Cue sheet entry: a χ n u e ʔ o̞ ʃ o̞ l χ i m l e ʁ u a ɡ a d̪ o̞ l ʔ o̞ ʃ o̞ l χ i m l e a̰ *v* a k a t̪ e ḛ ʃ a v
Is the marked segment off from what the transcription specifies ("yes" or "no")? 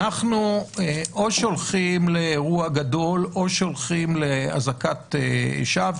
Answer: yes